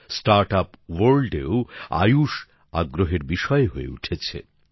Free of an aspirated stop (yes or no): no